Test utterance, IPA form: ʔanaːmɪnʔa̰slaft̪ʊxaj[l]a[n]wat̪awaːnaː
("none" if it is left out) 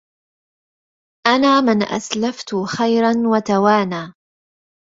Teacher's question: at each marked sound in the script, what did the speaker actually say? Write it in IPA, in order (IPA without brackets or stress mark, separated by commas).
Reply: ɾ, n